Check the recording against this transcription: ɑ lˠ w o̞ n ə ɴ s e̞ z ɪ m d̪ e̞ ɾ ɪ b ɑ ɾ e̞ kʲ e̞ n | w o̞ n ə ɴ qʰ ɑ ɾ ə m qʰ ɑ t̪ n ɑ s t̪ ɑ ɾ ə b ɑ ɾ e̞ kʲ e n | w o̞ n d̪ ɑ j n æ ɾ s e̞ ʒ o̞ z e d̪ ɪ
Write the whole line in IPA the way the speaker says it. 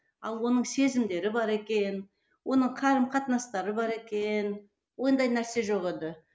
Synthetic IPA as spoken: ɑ lˠ w o̞ n ə ɴ s e̞ z ɪ m d̪ e̞ ɾ ɪ b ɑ ɾ e̞ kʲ e̞ n | w o̞ n ə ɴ qʰ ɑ ɾ ə m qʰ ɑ t̪ n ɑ s t̪ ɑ ɾ ə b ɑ ɾ e̞ kʲ e n | w o̞ n d̪ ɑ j n æ ɾ s e̞ ʒ o̞ ʁ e d̪ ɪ